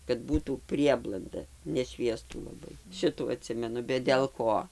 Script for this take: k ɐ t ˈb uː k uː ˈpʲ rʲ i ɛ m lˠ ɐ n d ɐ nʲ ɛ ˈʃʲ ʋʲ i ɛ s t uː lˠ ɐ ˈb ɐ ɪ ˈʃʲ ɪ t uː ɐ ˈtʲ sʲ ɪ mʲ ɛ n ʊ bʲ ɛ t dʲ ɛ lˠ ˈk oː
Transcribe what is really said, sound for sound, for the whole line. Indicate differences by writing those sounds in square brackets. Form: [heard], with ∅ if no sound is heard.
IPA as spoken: k ɐ t ˈb uː [t] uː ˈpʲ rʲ i ɛ [b] lˠ ɐ n d ɐ nʲ ɛ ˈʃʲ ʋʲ i ɛ s t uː lˠ ɐ ˈb ɐ ɪ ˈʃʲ ɪ t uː ɐ ˈtʲ sʲ ɪ mʲ ɛ n ʊ bʲ ɛ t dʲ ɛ lˠ ˈk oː